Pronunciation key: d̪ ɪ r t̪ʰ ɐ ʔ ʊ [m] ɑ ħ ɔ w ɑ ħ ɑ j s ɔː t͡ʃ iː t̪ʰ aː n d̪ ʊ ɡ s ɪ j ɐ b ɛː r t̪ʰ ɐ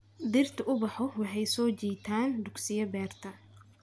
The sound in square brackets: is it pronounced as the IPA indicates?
no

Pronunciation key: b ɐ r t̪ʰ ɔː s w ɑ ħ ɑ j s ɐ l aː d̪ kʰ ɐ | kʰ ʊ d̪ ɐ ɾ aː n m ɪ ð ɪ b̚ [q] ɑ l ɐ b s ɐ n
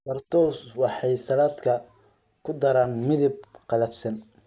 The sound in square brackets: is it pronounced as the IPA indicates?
yes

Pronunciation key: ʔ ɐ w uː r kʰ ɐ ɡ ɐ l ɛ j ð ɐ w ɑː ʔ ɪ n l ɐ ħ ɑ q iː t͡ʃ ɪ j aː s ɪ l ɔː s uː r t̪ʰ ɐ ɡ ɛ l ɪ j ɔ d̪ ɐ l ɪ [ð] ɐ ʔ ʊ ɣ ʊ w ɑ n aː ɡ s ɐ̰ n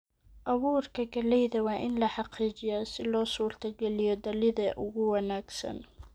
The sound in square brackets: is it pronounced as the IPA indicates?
yes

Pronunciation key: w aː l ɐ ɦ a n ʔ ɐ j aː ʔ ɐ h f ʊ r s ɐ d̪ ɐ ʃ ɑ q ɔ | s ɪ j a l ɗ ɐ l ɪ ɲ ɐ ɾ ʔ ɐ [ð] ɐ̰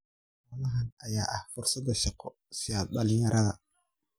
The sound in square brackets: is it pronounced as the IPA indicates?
yes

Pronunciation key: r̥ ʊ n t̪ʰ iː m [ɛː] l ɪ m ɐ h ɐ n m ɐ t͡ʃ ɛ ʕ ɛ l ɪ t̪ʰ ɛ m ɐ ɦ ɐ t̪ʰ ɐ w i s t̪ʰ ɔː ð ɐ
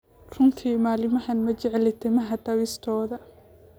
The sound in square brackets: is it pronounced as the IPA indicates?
no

